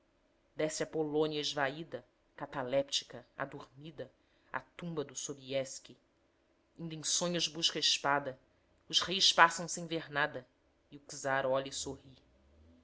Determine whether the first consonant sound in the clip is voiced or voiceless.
voiced